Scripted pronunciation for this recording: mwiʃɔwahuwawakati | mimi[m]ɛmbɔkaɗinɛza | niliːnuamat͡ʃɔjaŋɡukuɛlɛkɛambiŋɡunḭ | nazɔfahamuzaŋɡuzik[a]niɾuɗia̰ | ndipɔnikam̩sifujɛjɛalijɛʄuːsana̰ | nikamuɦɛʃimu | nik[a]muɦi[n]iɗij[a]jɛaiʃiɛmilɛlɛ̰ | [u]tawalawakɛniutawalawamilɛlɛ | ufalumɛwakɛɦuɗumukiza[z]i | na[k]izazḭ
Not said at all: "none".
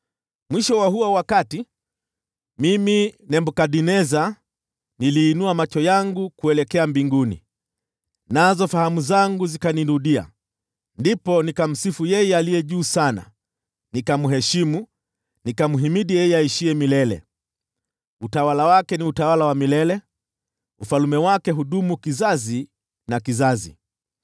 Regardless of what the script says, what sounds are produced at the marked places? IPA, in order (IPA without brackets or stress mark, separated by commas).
n, a, a, m, ɛ, u, z, k